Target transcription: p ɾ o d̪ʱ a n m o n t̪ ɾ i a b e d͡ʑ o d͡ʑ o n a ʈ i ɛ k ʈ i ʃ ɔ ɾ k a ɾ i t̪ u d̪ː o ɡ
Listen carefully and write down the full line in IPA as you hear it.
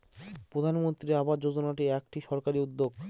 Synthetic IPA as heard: p ɾ o d̪ʱ a n m o n t̪ ɾ i a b a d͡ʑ o d͡ʑ o n a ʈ i ɛ k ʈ i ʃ ɔ ɾ k a ɾ i u d̪ː o ɡ